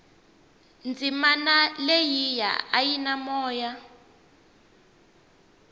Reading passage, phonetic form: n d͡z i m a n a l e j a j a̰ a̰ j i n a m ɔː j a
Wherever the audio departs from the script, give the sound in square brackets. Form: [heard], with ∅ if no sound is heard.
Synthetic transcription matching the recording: n d͡z i m a n a l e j [i] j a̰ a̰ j i n a m ɔː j a